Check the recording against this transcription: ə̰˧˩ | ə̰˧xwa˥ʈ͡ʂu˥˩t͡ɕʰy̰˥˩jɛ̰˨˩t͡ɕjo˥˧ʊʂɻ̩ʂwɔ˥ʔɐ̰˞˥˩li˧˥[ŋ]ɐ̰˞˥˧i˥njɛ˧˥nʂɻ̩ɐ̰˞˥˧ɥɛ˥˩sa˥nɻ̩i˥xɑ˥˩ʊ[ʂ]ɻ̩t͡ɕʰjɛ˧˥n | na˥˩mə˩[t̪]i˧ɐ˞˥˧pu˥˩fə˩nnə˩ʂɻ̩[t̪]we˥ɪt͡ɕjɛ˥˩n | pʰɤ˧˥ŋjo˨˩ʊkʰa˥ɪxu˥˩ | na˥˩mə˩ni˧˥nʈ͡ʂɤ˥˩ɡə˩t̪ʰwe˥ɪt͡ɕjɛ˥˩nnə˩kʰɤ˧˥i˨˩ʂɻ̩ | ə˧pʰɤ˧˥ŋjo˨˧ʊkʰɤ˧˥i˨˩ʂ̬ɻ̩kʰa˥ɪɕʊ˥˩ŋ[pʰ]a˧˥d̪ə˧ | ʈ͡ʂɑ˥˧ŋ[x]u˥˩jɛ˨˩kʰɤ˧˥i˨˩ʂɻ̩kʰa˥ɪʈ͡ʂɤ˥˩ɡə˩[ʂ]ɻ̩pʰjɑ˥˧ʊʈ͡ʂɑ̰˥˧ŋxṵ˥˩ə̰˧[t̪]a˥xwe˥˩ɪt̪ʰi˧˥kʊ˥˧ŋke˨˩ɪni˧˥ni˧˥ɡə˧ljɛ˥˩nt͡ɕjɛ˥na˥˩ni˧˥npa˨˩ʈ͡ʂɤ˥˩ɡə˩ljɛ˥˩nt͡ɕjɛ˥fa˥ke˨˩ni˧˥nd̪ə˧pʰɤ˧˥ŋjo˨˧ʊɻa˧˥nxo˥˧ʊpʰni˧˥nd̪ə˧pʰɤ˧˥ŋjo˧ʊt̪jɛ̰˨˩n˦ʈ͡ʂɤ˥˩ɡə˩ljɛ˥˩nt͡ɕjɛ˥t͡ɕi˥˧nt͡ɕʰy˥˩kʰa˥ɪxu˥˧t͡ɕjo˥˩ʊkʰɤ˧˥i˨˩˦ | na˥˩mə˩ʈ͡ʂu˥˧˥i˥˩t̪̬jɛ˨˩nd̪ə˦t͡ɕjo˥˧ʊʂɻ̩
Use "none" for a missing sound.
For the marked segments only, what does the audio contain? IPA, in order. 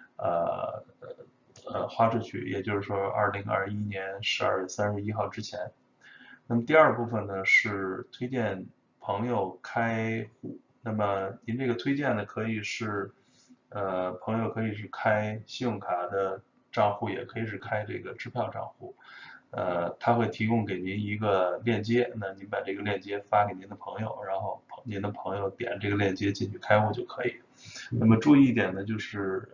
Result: ŋ, ʈ͡ʂ, t̪, t̪ʰ, kʰ, x, ʈ͡ʂ, t̪ʰ

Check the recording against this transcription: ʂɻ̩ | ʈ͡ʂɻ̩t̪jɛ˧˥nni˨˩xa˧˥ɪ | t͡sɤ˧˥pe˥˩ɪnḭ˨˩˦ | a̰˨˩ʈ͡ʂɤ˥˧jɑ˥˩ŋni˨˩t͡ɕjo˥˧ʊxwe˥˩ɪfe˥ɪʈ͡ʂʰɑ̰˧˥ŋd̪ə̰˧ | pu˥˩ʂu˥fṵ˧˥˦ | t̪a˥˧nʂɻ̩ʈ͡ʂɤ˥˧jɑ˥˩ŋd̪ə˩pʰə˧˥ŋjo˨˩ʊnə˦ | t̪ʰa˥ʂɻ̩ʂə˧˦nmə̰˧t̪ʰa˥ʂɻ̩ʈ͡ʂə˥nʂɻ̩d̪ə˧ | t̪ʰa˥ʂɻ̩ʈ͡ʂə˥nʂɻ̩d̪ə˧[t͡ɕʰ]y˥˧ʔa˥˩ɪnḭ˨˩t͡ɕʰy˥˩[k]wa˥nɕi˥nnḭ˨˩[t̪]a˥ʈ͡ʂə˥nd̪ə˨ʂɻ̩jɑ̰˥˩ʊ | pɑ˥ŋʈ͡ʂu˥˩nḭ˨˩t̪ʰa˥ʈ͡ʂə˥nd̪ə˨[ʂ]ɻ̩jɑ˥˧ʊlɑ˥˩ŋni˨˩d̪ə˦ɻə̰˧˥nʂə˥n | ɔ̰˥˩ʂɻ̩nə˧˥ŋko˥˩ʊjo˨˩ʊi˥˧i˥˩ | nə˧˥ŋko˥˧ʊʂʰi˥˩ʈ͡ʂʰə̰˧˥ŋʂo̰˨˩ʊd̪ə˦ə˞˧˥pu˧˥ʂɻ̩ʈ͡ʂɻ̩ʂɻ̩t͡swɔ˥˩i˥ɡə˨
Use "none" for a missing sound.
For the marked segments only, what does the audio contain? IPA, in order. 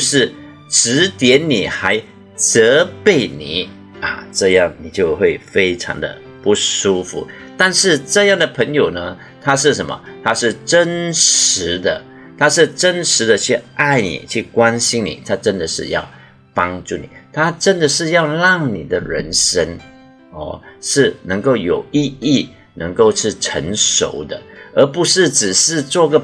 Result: t͡ɕʰ, k, t̪ʰ, ʂ

